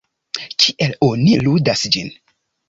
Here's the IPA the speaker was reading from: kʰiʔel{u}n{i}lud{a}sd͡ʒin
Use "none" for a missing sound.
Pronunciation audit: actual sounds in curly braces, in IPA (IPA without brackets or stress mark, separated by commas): o, i, a